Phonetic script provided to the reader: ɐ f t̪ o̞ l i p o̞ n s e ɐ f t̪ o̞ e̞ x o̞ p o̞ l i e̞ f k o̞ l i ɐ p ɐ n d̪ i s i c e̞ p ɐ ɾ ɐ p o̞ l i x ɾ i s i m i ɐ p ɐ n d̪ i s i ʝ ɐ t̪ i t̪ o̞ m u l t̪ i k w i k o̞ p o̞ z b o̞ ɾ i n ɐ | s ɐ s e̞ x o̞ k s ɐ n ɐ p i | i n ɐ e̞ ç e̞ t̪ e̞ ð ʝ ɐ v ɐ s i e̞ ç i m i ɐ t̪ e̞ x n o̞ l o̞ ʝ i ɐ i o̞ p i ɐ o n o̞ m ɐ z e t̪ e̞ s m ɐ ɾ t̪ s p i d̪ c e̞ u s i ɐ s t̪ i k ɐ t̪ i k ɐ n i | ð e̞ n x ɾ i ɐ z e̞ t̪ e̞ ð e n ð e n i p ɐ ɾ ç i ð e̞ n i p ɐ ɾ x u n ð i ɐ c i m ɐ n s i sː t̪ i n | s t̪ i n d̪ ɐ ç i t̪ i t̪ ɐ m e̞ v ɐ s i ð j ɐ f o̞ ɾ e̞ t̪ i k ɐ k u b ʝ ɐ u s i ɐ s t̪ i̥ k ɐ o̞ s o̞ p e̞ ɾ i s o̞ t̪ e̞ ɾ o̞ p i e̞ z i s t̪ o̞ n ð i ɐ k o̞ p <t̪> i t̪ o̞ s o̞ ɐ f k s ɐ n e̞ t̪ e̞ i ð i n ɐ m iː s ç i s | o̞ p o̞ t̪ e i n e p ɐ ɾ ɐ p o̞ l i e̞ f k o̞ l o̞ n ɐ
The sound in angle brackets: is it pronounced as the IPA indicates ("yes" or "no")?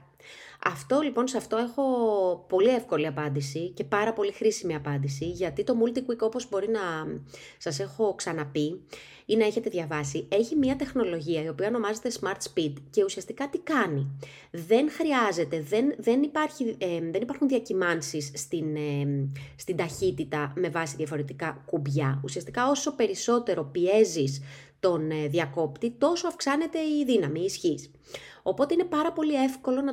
yes